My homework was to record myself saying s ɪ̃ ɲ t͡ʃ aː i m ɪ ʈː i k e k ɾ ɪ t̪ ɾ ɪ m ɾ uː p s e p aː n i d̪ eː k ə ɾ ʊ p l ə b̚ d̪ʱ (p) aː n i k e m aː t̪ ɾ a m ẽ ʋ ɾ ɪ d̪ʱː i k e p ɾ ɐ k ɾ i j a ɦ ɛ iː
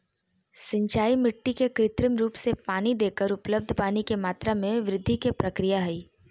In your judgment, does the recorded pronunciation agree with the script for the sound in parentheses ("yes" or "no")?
yes